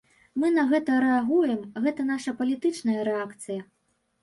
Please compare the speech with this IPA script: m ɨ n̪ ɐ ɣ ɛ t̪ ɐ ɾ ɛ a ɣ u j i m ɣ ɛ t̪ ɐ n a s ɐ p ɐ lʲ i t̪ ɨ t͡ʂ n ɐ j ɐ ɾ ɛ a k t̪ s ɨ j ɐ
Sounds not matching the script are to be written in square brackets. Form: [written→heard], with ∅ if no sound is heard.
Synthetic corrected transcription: m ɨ n̪ ɐ ɣ ɛ t̪ ɐ ɾ ɛ a ɣ u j [i→ɛ] m ɣ ɛ t̪ ɐ n a [s→ʂ] ɐ p ɐ lʲ i t̪ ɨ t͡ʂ n ɐ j ɐ ɾ ɛ a k t̪ s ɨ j ɐ

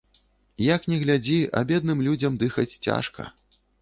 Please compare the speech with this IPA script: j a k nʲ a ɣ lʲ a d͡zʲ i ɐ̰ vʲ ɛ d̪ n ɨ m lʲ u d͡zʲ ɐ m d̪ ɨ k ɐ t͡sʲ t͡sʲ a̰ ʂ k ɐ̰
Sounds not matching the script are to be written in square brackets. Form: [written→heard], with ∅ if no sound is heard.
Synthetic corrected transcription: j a k nʲ [a→ɛ] ɣ lʲ a d͡zʲ i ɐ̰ [vʲ→bʲ] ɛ d̪ n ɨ m lʲ u d͡zʲ ɐ m d̪ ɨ [k→x] ɐ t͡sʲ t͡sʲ a̰ ʂ k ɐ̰

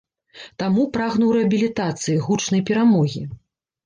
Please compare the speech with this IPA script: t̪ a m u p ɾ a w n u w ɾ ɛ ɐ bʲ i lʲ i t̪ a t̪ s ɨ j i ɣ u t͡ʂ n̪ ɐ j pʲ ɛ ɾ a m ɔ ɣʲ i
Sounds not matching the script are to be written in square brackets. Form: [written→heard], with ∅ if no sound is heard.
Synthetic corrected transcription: t̪ a m u p ɾ a [w→ɣ] n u w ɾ ɛ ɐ bʲ i lʲ i t̪ a t̪ s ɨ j i ɣ u t͡ʂ n̪ ɐ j pʲ ɛ ɾ a m ɔ ɣʲ i

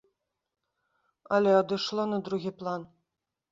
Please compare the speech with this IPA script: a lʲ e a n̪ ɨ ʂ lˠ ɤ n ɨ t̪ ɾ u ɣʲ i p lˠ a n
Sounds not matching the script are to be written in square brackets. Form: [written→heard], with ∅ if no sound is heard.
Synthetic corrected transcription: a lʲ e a [n̪→d̪] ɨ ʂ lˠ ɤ n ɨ [t̪→d̪] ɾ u ɣʲ i p lˠ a n

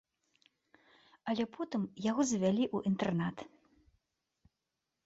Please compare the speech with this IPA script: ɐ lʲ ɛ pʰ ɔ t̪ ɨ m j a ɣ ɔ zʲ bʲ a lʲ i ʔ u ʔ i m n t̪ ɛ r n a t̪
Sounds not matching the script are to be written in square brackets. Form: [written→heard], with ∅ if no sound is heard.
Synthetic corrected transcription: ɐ lʲ ɛ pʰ ɔ t̪ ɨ m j a ɣ ɔ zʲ [bʲ→vʲ] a lʲ i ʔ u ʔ i [m→∅] n t̪ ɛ r n a t̪

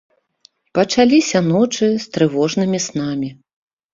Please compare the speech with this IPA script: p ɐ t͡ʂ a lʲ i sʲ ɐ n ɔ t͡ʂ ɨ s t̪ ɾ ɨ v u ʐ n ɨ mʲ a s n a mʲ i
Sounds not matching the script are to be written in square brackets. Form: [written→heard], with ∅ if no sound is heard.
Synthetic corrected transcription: p ɐ t͡ʂ a lʲ i sʲ ɐ n ɔ t͡ʂ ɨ s t̪ ɾ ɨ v [u→ɔ] ʐ n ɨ mʲ [a→i] s n a mʲ i

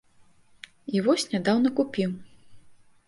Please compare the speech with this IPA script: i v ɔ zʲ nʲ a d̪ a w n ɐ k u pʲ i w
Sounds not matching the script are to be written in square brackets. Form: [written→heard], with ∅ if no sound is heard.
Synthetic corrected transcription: i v ɔ [zʲ→sʲ] nʲ a d̪ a w n ɐ k u pʲ i w

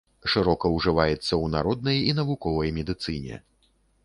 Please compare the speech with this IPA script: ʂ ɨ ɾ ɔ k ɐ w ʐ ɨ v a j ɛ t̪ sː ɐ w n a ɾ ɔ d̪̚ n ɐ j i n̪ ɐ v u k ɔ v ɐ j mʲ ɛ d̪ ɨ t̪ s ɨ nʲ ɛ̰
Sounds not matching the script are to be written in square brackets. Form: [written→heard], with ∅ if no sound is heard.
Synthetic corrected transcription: ʂ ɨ ɾ ɔ k ɐ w ʐ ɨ v a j ɛ t̪ sː ɐ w n a ɾ ɔ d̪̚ n ɐ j i n̪ ɐ v u k ɔ v ɐ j mʲ ɛ d̪ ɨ t̪ s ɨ nʲ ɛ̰

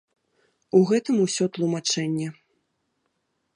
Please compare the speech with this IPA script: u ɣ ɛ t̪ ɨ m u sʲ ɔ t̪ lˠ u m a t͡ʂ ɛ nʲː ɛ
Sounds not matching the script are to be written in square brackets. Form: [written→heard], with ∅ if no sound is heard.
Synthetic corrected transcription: u ɣ ɛ t̪ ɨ m u sʲ ɔ t̪ lˠ u m a t͡ʂ ɛ nʲː ɛ

